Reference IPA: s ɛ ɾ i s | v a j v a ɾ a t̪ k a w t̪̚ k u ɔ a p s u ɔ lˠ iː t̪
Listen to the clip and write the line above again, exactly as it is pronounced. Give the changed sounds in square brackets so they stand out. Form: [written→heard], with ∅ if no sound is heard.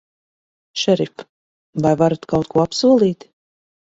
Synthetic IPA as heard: [s→ʃ] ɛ ɾ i [s→f] | v a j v a ɾ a t̪ k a w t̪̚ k u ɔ a p s u ɔ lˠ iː t̪